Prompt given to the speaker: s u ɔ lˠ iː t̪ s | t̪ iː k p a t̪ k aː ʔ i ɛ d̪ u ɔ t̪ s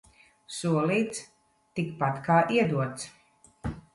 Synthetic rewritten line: s u ɔ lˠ iː t̪ s | t̪ i k p a t̪ k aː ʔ i ɛ d̪ u ɔ t̪ s